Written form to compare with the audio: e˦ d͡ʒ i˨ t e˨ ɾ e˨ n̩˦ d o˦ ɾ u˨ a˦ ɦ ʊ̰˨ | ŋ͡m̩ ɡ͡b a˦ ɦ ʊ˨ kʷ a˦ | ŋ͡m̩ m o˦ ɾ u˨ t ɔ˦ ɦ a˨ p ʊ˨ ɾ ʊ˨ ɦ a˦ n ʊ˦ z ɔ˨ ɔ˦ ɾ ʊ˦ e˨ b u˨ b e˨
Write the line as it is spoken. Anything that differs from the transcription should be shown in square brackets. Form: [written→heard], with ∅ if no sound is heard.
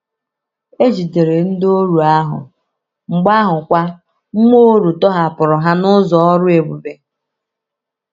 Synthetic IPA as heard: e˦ d͡ʒ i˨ t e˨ ɾ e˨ n̩˦ d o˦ ɾ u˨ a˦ ɦ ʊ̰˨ | ŋ͡m̩ ɡ͡b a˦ ɦ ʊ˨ kʷ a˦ | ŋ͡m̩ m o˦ ɾ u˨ t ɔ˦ ɦ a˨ p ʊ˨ ɾ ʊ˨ ɦ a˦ n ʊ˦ z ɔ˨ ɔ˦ ɾ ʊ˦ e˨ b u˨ b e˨